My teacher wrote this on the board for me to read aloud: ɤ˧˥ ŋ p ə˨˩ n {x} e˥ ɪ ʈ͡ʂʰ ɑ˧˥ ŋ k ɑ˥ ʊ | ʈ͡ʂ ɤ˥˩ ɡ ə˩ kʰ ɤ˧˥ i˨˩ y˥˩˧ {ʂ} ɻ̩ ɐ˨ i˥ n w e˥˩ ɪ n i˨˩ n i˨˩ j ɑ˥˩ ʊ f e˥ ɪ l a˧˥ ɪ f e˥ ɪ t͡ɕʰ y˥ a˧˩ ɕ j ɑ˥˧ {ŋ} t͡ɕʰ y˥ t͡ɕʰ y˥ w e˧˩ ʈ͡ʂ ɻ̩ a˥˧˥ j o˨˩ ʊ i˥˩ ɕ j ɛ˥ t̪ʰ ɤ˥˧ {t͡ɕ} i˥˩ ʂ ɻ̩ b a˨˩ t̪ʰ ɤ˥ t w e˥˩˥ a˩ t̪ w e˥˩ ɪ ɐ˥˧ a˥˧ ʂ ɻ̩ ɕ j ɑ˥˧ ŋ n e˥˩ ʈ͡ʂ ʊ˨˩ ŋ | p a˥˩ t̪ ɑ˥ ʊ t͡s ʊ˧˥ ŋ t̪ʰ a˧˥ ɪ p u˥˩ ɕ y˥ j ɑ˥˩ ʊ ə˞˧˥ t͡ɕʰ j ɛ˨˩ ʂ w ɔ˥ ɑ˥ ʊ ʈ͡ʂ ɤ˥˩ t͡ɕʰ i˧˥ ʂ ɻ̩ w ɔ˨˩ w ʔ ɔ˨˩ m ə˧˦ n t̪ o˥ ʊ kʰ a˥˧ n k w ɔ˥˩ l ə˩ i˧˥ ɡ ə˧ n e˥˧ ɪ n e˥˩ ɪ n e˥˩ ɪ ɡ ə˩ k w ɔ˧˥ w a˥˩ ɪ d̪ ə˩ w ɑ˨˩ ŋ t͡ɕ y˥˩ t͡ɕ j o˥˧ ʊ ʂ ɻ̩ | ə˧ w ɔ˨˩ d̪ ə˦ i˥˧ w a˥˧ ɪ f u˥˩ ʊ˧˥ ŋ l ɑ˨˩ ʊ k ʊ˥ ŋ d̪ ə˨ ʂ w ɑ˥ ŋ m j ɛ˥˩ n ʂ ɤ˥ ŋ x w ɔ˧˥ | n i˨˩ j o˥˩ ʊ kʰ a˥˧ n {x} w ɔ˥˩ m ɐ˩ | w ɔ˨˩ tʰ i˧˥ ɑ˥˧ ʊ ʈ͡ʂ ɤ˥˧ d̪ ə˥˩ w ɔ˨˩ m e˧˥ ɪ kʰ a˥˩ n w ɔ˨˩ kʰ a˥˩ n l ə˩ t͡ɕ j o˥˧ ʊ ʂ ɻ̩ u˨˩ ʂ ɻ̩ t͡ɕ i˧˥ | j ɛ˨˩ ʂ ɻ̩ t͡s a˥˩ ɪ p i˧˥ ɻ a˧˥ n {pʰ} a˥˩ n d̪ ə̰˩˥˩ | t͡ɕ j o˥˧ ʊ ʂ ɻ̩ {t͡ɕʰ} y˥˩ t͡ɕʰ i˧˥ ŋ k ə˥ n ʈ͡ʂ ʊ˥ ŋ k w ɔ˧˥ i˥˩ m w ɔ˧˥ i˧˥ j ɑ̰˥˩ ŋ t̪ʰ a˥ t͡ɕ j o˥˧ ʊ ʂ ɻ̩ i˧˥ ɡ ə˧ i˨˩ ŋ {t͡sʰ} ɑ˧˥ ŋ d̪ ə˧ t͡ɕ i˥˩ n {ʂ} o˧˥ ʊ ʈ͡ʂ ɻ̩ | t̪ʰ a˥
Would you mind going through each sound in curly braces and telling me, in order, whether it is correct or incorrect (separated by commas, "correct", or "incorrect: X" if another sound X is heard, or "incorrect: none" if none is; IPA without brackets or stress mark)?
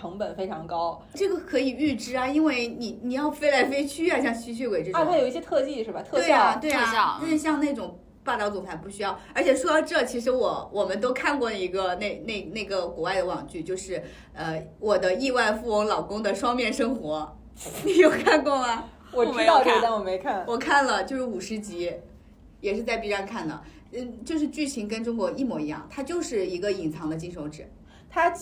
incorrect: f, incorrect: ʈ͡ʂ, correct, correct, incorrect: k, incorrect: kʰ, incorrect: t͡ɕ, correct, correct